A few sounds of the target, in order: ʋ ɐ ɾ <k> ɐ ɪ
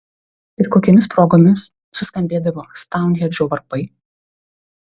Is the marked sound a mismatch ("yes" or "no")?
yes